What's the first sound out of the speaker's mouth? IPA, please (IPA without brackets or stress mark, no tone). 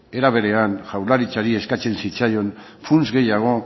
e̞